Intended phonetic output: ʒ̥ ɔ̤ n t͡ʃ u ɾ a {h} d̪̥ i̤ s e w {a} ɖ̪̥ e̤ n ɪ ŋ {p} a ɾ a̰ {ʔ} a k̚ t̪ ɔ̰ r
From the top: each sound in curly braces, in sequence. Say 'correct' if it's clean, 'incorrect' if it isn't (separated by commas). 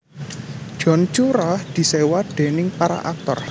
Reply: correct, correct, correct, correct